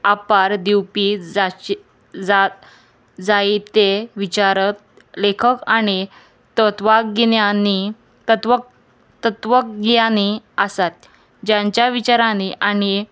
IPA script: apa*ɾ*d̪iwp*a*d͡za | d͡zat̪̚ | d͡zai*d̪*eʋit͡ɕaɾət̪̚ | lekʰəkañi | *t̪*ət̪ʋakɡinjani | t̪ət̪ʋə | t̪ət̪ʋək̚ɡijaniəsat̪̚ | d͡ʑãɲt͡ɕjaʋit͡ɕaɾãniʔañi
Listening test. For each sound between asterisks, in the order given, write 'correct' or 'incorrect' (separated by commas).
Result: correct, incorrect, incorrect, correct